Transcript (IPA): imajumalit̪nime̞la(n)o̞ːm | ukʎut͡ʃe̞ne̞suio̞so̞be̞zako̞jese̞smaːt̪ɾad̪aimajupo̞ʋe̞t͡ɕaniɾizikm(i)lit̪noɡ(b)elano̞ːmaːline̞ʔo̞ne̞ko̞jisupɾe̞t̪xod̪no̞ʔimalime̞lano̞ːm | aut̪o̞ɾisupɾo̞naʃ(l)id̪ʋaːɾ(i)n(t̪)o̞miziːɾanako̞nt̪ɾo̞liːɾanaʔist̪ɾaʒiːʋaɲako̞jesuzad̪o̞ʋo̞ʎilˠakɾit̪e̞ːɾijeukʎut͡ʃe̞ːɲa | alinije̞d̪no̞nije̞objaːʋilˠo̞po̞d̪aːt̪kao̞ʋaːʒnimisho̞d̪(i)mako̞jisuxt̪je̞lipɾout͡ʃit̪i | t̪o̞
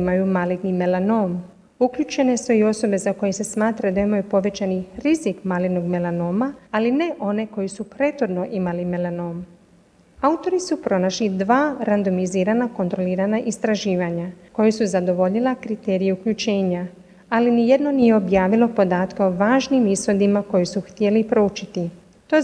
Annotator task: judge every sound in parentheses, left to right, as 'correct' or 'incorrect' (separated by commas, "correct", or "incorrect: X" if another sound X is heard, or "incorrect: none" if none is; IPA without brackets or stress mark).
correct, incorrect: a, incorrect: m, correct, incorrect: a, incorrect: d̪, correct